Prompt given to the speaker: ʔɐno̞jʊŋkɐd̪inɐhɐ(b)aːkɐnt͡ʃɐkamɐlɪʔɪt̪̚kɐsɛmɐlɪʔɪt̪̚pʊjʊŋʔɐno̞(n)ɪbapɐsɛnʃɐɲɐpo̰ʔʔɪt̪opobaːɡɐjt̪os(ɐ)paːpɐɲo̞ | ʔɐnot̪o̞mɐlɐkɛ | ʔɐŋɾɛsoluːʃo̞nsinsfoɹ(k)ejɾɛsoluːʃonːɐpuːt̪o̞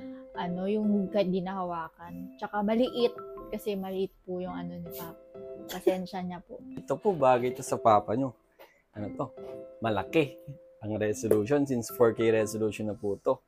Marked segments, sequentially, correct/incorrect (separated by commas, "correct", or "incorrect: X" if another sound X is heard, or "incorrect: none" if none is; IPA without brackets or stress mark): incorrect: w, correct, correct, correct